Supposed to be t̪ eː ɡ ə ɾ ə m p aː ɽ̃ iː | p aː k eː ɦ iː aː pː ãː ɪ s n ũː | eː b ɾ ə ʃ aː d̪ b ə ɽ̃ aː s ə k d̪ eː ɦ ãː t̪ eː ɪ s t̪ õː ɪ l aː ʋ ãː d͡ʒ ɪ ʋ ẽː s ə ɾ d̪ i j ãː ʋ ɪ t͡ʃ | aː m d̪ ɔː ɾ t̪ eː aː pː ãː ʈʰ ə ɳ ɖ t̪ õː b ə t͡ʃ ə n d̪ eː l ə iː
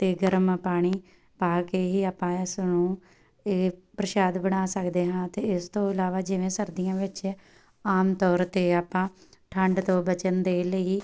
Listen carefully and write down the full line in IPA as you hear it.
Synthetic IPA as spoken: t̪ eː ɡ ə ɾ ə m p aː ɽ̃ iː | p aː k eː ɦ iː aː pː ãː ɪ s n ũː | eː p ɾ ə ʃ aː d̪ b ə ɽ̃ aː s ə k d̪ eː ɦ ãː t̪ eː ɪ s t̪ õː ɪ l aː ʋ aː d͡ʒ ɪ ʋ ẽː s ə ɾ d̪ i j ãː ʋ ɪ t͡ʃ | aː m t̪ ɔː ɾ t̪ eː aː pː ãː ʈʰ ə ɳ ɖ t̪ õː b ə t͡ʃ ə n d̪ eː l ə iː